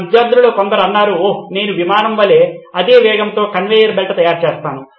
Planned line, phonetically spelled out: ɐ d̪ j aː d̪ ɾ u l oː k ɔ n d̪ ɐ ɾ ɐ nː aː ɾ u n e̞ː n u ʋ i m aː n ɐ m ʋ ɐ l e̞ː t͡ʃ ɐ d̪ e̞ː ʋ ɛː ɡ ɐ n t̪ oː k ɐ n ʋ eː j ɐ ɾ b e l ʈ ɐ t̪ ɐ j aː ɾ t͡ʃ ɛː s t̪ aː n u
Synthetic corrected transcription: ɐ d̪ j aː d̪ ɾ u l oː k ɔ n d̪ ɐ ɾ ɐ nː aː ɾ u n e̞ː n u ʋ i m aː n ɐ m ʋ ɐ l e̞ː ɐ d̪ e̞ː ʋ ɛː ɡ ɐ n t̪ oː k ɐ n ʋ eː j ɐ ɾ b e l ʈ ɐ t̪ ɐ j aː ɾ t͡ʃ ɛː s t̪ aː n u